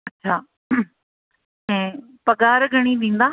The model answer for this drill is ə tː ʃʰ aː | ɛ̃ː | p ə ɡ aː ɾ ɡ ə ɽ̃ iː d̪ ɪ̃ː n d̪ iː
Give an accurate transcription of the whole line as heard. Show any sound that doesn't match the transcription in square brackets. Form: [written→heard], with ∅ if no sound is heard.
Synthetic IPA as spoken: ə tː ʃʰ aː | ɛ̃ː | p ə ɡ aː ɾ ɡ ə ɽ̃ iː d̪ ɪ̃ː n d̪ [iː→aː]